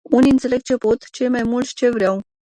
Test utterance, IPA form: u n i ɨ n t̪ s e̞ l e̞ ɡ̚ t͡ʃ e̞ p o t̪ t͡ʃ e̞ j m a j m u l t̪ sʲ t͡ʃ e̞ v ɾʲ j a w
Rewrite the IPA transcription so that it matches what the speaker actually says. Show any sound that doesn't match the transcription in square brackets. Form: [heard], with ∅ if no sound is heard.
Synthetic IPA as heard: u n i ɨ n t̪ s e̞ l e̞ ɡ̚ t͡ʃ e̞ p o t̪ t͡ʃ e̞ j m a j m u l t̪ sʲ t͡ʃ e̞ v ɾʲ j a w